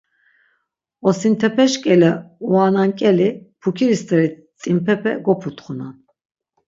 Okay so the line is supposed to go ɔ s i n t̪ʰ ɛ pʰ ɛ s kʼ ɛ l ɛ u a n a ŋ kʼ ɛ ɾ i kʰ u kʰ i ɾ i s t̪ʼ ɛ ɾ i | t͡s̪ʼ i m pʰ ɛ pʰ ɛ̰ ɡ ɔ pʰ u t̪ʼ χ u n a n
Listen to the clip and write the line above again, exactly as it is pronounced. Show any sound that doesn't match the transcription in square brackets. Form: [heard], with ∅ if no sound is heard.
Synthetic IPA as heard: ɔ s i n t̪ʰ ɛ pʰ ɛ [ʃ] kʼ ɛ l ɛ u a n a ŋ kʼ ɛ [l] i [pʰ] u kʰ i ɾ i s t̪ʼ ɛ ɾ i | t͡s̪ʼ i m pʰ ɛ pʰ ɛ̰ ɡ ɔ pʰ u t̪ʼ χ u n a n